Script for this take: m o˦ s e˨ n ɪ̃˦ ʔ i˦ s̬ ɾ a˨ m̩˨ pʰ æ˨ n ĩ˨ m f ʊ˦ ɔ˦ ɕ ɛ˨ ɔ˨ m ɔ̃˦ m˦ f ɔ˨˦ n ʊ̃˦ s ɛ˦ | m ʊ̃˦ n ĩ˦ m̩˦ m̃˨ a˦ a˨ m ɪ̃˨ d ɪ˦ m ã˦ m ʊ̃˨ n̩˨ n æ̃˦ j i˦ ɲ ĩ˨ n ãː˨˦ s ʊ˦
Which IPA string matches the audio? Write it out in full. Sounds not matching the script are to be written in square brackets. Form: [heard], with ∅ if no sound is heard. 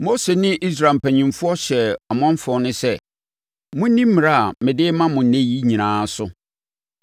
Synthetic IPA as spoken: m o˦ s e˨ n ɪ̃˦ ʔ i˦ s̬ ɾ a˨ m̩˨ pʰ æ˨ [ɲ] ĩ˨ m f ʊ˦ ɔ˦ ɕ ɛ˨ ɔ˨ m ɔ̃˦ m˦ f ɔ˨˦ n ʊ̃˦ s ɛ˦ | m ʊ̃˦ n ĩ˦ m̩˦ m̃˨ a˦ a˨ m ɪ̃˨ d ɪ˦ m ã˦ m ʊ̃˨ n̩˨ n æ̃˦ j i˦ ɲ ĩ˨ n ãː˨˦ s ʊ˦

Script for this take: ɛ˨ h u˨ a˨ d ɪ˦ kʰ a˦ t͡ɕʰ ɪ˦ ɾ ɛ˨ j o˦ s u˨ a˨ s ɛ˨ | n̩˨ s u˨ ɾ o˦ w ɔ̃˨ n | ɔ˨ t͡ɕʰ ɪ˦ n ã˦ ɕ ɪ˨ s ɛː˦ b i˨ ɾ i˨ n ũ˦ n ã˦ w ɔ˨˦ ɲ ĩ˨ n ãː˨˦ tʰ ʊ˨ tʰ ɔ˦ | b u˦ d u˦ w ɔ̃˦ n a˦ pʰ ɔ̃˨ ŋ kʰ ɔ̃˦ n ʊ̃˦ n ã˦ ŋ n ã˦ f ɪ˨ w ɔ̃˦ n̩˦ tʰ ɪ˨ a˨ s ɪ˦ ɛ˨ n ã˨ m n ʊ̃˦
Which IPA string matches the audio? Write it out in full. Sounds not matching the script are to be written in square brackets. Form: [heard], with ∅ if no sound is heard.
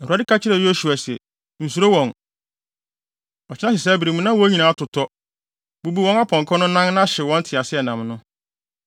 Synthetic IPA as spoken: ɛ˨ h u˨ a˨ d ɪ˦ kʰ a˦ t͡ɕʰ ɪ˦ ɾ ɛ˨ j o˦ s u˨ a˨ s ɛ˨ | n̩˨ s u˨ ɾ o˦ w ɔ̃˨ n | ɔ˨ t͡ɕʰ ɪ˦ n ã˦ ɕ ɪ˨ s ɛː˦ b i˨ ɾ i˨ [m] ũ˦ n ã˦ w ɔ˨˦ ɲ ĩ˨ n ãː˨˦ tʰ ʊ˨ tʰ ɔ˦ | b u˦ [b] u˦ w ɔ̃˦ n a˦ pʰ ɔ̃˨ ŋ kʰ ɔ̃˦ n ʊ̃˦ n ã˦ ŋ n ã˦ [ɕ] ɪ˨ w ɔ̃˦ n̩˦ tʰ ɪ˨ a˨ s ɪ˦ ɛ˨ n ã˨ m n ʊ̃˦

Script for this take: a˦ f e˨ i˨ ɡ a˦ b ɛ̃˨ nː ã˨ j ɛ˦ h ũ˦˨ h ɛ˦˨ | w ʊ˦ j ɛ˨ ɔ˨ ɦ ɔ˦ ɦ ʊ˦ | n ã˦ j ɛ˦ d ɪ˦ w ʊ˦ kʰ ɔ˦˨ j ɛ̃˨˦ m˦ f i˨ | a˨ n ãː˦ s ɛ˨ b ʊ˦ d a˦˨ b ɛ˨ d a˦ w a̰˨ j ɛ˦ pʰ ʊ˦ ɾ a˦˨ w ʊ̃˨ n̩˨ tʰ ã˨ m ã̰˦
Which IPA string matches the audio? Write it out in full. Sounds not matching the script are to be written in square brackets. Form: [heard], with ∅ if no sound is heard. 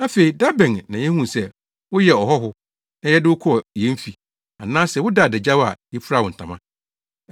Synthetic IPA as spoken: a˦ f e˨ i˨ [d] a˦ b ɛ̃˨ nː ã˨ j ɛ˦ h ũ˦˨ [s] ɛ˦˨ | w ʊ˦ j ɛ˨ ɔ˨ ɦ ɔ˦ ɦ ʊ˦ | n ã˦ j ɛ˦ d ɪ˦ w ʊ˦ kʰ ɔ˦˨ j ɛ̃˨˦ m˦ f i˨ | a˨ n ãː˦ s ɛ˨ [w] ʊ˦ d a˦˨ [d] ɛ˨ [d͡ʑ] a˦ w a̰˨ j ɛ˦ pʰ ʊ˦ ɾ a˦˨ w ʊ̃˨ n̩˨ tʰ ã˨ m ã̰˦

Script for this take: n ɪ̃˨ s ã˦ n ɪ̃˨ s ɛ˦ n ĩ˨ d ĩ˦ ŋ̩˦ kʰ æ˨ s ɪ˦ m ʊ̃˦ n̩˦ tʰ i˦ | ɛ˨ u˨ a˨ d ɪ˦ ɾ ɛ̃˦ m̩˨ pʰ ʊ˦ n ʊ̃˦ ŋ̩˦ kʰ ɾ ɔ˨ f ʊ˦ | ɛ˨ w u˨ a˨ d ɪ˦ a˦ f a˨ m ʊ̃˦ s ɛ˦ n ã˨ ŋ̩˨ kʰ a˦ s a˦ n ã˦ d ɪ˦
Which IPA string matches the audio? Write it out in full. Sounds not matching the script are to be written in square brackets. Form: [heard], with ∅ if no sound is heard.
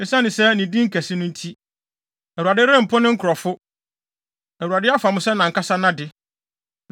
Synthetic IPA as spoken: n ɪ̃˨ s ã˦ n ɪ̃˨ s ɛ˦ n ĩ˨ d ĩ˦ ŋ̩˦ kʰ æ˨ s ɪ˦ [n] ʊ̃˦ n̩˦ tʰ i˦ | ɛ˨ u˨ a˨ d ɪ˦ ɾ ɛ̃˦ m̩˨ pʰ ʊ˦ n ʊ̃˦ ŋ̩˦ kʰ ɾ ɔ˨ f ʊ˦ | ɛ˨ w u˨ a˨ d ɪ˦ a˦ f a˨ m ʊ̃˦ s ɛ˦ n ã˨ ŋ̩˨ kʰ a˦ s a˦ n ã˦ d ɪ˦

